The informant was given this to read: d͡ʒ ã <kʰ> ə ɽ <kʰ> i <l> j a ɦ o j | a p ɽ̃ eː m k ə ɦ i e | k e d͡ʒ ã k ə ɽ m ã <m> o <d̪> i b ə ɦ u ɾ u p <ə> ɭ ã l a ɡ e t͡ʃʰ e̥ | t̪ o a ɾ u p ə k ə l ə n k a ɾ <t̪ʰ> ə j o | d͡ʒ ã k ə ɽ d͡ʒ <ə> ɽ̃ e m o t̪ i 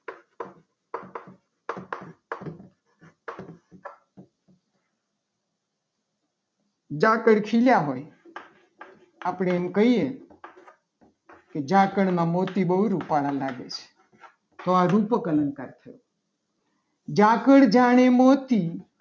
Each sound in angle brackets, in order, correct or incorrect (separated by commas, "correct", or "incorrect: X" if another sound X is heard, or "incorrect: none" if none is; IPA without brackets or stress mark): incorrect: k, correct, correct, correct, incorrect: t̪, incorrect: a, correct, incorrect: a